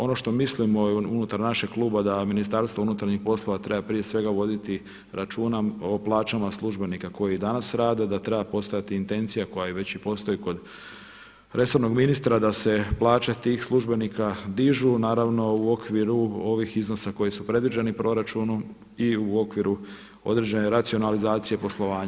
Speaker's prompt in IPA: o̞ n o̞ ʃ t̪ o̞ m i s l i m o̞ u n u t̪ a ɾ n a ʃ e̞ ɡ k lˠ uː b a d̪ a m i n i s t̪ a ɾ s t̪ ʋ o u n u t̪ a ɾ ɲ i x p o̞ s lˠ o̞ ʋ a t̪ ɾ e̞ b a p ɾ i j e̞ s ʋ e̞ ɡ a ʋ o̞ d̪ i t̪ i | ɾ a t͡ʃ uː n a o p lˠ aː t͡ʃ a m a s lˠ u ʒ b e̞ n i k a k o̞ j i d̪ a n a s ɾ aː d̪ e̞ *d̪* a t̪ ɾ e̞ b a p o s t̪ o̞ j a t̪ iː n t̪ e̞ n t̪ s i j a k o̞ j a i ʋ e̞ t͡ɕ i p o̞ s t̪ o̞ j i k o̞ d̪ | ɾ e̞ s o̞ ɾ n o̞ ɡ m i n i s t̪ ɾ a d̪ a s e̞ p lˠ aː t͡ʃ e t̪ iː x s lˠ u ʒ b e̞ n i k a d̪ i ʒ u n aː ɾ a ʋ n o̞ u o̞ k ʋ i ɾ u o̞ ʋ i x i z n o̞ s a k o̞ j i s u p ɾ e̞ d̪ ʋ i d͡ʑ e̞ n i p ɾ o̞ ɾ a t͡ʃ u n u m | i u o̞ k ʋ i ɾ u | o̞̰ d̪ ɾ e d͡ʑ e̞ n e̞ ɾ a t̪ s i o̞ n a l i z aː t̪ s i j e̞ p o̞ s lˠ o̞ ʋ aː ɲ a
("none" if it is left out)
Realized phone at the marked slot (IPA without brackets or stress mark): d̪